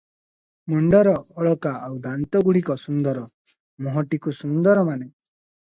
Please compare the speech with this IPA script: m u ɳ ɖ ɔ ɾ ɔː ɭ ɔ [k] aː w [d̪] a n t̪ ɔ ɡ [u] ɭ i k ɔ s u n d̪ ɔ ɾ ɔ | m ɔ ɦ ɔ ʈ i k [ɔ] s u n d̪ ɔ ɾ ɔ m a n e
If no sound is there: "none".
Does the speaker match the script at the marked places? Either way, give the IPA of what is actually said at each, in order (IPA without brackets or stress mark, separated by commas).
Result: k, d̪, u, u